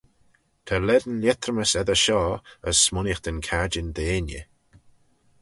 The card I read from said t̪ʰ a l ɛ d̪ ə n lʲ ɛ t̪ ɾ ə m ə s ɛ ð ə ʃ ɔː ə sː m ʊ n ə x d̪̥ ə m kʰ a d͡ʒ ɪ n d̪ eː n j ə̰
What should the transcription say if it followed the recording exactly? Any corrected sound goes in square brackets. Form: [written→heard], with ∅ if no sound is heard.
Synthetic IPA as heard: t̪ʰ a l ɛ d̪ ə n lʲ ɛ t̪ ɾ ə m ə s ɛ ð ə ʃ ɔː ə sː m ʊ n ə x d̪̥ ə [m→n] kʰ a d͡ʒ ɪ n d̪ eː n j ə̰

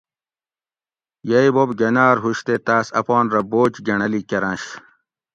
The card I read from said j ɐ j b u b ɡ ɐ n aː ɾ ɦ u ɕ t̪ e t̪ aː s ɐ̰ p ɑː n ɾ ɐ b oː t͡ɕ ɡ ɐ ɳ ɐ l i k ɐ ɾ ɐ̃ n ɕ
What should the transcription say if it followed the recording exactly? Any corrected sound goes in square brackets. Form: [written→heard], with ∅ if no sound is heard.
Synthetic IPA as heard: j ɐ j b [u→o] b ɡ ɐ n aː ɾ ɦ u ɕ t̪ e t̪ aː s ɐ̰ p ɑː n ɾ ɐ b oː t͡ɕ ɡ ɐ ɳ ɐ l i k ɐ ɾ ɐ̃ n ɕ

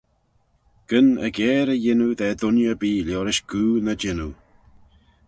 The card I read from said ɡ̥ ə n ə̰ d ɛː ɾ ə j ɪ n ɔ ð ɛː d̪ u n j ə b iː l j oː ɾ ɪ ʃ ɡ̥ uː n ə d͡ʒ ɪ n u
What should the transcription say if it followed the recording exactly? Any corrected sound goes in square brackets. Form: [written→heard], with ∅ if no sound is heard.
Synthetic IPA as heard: ɡ̥ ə n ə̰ [d→ɡ] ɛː ɾ ə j ɪ n [ɔ→u] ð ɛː d̪ [u→ʊ] n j ə b iː l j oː ɾ ɪ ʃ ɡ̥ uː n ə d͡ʒ ɪ n u

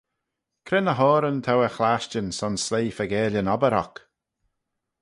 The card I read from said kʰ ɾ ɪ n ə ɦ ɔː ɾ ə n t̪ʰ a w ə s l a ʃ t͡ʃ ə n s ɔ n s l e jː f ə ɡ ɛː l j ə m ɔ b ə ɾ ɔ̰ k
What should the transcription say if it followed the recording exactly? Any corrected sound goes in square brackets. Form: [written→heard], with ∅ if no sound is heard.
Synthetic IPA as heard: kʰ ɾ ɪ n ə ɦ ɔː ɾ ə n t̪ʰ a w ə [s→x] l a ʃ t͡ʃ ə n s ɔ n s l e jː f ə ɡ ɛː l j ə [m→n] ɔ b ə ɾ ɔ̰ k

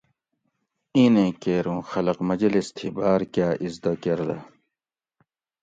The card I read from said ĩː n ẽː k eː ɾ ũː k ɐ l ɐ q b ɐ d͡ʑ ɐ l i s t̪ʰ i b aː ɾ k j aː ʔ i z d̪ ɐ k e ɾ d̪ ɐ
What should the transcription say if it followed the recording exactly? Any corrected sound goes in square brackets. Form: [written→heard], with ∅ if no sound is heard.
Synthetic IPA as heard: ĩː n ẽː k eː ɾ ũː [k→x] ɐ l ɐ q [b→m] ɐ d͡ʑ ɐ l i s t̪ʰ i b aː ɾ k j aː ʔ i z d̪ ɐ k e ɾ d̪ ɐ

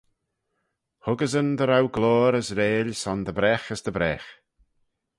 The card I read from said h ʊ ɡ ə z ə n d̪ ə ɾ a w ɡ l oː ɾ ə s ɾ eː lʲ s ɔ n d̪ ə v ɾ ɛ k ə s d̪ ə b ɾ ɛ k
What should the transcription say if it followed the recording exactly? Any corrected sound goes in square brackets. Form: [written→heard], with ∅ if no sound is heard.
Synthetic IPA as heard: h ʊ ɡ ə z ə n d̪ ə ɾ a w ɡ l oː ɾ ə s ɾ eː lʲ s ɔ n d̪ ə [v→b] ɾ ɛ [k→x] ə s d̪ ə b ɾ ɛ [k→x]

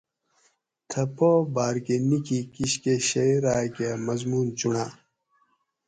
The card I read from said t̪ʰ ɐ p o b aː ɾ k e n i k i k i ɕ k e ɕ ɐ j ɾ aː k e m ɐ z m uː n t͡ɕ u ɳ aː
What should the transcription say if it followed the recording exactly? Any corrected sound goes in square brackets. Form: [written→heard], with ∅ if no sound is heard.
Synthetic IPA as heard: t̪ʰ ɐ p o b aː ɾ k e n i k i k i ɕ k e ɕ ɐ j ɾ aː k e m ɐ z m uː n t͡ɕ u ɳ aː

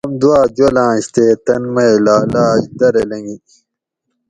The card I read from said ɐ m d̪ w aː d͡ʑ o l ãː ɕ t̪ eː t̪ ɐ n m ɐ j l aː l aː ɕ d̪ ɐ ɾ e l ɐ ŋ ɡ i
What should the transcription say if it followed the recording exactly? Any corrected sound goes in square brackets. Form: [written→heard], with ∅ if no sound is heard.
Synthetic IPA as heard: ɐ m d̪ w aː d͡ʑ o l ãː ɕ t̪ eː t̪ ɐ n m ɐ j l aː l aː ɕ d̪ ɐ ɾ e l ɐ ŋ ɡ i

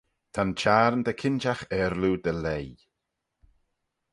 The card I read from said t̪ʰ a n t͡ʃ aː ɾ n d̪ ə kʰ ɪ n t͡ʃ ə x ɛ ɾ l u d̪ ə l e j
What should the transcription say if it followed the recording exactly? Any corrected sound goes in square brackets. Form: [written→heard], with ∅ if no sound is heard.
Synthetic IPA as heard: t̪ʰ a n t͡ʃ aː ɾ n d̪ ə kʰ ɪ n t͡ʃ [ə→a] x ɛ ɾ l u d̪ ə l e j

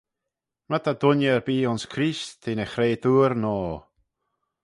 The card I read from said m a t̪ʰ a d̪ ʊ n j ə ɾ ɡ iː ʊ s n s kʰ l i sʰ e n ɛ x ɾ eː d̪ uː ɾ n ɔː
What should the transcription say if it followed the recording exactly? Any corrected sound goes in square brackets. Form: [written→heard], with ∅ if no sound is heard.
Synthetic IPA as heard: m a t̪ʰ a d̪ ʊ n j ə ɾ [ɡ→b] iː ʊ [s→∅] n s kʰ [l→ɾ] i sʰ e n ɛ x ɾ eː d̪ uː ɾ n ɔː

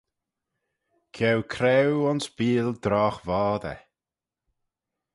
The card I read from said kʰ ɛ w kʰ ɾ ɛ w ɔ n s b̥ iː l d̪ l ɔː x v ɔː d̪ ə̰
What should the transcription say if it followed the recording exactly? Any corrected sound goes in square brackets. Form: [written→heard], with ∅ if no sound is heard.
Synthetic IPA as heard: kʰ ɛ w kʰ ɾ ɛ w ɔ n s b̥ iː l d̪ [l→ɾ] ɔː x v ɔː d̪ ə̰

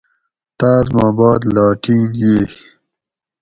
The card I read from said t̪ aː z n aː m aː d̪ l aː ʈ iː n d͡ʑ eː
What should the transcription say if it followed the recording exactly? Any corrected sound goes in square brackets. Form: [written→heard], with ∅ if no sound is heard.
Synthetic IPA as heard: t̪ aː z [n→m] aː [m→b] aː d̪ l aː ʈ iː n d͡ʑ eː

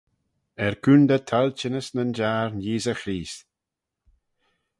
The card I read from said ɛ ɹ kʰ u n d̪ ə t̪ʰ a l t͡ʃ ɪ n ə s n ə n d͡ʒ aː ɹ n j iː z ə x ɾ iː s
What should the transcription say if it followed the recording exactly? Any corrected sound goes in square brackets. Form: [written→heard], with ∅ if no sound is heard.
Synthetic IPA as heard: ɛ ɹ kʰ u n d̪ ə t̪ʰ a l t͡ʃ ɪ n ə s n ə n d͡ʒ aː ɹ n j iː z ə x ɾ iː s

